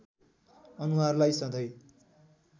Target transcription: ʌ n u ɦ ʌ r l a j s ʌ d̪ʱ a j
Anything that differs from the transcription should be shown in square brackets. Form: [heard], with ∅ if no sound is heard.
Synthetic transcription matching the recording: ʌ n u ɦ [a] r l a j s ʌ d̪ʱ [ʌ] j